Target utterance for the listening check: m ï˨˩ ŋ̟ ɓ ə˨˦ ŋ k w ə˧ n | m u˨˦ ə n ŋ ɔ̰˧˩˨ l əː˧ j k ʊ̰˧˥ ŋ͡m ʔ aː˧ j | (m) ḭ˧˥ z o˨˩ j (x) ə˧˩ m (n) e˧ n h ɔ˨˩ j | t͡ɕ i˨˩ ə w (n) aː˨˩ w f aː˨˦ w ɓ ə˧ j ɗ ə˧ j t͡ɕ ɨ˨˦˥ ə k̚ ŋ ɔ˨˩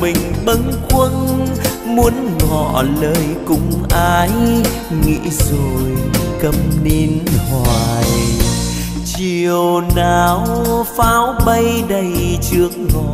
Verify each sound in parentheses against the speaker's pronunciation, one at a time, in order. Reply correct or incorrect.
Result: incorrect: ŋ, incorrect: k, correct, correct

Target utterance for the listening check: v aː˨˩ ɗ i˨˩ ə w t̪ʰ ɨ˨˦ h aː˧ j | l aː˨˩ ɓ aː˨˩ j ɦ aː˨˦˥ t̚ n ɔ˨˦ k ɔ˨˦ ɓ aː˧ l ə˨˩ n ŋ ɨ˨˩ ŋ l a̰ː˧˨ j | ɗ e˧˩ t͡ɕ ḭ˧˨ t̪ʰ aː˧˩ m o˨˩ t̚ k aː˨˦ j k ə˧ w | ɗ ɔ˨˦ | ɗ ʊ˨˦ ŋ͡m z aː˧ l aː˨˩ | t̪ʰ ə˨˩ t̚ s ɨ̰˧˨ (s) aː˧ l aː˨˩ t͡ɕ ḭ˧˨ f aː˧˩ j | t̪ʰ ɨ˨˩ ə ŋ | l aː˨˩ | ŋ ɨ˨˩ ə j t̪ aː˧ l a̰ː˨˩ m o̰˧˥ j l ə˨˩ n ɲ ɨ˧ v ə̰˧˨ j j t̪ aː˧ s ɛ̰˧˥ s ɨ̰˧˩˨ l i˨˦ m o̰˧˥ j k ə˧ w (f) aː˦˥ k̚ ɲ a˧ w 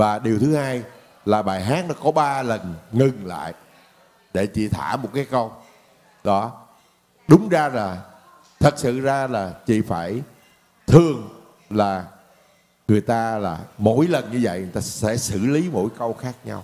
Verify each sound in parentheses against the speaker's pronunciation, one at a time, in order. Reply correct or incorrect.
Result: incorrect: z, incorrect: x

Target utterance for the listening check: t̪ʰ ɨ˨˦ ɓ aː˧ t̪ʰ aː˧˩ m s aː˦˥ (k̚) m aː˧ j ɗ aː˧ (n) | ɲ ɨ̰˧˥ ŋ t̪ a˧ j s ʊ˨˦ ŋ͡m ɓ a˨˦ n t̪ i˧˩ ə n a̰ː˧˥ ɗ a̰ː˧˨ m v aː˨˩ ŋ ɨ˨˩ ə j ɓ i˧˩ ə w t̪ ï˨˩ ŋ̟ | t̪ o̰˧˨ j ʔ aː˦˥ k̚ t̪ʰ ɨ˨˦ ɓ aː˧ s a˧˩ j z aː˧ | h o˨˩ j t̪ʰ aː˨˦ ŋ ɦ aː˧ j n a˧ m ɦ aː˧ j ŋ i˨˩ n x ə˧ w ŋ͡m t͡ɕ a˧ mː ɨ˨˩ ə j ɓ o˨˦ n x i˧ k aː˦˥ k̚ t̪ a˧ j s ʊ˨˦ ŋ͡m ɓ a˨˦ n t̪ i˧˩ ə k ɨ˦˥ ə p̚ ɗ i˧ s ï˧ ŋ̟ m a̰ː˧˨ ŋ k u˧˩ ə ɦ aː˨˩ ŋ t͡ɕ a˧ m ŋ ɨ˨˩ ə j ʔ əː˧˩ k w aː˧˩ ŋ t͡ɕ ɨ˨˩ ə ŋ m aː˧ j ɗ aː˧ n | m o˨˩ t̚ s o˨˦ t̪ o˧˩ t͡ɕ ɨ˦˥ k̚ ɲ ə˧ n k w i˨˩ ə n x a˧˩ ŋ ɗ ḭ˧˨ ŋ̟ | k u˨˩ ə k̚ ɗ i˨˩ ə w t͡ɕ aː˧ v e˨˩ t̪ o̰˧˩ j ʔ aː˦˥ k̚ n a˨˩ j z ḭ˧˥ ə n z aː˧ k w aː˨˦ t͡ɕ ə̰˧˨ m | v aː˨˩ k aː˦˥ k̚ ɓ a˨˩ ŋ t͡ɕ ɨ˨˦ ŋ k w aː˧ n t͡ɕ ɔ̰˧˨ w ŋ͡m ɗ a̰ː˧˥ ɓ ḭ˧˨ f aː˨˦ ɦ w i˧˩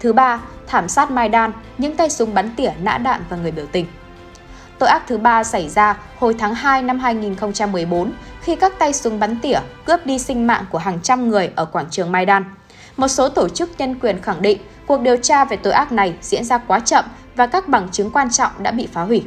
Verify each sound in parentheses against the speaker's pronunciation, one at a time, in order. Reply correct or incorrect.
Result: incorrect: t̚, correct

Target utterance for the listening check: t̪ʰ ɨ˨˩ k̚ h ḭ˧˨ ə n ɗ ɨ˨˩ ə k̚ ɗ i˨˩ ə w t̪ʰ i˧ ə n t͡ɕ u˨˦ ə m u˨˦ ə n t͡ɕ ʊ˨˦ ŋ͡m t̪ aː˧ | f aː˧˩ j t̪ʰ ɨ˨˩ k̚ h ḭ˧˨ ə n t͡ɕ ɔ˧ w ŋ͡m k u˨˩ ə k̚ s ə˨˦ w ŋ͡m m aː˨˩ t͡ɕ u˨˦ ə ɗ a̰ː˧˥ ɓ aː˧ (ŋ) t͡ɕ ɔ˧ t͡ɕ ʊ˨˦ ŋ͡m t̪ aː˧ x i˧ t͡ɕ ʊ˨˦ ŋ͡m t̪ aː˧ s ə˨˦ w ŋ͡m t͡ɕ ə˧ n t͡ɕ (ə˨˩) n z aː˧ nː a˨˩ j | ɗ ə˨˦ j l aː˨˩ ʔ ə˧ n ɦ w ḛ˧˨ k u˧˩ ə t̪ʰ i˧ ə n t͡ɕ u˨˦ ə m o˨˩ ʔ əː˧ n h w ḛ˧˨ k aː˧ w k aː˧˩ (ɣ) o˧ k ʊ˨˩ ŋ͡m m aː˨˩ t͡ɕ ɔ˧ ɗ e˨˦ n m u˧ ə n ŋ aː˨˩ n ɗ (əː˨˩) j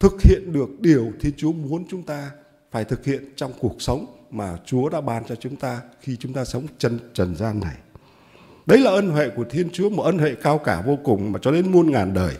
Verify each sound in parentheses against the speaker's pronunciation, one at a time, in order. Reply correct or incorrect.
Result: incorrect: n, correct, incorrect: v, correct

